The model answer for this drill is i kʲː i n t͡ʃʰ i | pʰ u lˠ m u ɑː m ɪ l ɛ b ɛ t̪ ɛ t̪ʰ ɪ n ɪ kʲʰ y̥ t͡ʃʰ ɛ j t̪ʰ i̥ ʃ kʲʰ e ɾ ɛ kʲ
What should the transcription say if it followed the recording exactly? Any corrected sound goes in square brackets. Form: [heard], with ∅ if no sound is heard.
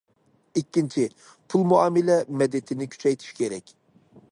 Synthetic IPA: i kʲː i n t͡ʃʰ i | pʰ u lˠ m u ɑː m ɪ l ɛ [m] ɛ [d̪] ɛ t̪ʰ ɪ n ɪ kʲʰ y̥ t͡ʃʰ ɛ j t̪ʰ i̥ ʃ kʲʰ e ɾ ɛ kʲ